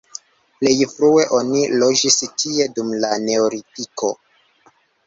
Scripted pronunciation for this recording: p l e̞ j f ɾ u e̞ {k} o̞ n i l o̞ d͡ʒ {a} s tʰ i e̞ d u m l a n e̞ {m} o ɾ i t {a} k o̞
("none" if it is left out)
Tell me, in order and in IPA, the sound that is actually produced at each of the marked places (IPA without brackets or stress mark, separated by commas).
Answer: ʔ, i, none, i